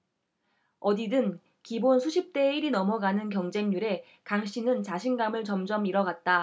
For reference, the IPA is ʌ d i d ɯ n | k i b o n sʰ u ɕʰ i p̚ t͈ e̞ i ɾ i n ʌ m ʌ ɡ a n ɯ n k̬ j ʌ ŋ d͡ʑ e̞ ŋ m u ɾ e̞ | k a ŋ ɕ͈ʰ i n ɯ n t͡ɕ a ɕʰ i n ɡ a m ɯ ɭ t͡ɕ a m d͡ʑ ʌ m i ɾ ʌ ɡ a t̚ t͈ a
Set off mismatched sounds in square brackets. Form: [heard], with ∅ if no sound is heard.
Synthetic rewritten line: ʌ d i d ɯ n | k i b o n sʰ u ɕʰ i p̚ t͈ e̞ i ɾ i n ʌ m ʌ ɡ a n ɯ n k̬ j ʌ ŋ d͡ʑ e̞ ŋ [ɲ] u ɾ e̞ | k a ŋ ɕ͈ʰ i n ɯ n t͡ɕ a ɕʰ i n ɡ a m ɯ ɭ t͡ɕ [ʌ] m d͡ʑ ʌ m i ɾ ʌ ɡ a t̚ t͈ a